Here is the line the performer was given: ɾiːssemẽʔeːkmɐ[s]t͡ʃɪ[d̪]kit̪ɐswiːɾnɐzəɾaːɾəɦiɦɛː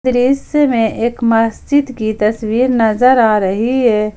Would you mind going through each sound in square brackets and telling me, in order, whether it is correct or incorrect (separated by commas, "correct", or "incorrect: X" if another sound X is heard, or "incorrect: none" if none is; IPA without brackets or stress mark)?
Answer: correct, correct